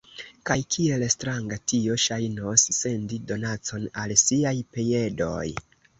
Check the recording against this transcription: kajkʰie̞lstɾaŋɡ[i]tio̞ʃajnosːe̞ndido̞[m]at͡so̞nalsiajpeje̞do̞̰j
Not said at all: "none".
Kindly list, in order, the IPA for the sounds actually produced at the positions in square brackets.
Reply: a, n

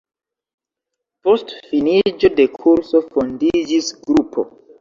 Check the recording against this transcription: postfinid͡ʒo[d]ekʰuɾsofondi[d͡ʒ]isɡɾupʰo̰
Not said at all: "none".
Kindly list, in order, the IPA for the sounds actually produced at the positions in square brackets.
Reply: d, d͡ʒ

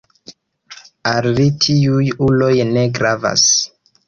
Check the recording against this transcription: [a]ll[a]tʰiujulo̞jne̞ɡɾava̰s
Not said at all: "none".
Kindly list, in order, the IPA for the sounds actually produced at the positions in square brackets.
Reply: a, i

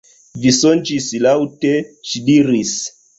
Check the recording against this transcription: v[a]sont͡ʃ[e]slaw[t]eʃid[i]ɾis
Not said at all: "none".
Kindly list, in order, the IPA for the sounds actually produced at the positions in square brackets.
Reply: i, i, t, i

